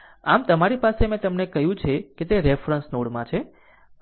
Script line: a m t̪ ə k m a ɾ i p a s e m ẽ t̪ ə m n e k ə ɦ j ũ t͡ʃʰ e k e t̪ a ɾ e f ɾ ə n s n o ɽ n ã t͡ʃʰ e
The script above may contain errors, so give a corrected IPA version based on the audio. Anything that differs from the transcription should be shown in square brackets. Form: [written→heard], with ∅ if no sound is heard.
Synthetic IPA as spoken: a m t̪ ə [k→∅] m a ɾ i p a s e m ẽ t̪ ə m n e k ə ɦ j ũ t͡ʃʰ e k e t̪ [a→e] ɾ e f ɾ ə n s n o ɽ [n→m] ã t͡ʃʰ e